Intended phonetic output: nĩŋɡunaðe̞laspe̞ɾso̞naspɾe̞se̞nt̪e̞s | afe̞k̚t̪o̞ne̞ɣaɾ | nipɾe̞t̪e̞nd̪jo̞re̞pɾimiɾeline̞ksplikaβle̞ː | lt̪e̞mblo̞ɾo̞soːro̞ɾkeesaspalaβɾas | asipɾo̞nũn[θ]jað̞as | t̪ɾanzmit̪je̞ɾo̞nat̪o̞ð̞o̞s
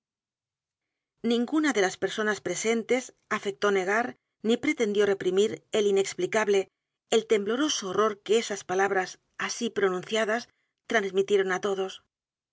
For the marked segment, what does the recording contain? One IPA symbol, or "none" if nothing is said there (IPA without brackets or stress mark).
θ